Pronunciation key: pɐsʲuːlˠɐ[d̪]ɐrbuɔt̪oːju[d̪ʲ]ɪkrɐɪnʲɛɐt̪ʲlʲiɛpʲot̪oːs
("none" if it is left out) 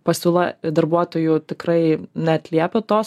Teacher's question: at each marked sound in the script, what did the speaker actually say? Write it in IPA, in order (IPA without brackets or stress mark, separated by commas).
d̪, t̪ʲ